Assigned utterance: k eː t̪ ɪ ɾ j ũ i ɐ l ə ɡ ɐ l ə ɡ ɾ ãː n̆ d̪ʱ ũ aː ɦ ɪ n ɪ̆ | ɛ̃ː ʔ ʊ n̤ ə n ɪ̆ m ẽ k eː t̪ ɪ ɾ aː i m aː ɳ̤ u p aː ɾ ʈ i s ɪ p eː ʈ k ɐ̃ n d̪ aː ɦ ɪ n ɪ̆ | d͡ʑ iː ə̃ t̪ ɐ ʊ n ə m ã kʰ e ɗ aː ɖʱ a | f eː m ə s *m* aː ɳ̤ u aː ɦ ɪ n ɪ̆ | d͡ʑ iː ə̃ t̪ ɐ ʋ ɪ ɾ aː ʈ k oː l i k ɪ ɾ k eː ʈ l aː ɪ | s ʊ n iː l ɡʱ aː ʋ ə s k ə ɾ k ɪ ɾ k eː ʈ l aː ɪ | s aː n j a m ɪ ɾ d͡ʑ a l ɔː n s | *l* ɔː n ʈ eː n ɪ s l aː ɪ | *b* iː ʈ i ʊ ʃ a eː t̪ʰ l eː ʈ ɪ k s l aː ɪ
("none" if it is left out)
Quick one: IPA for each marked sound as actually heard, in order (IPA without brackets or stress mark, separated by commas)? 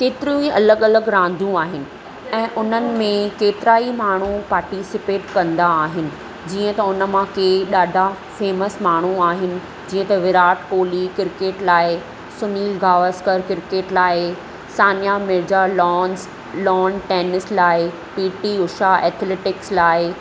m, l, p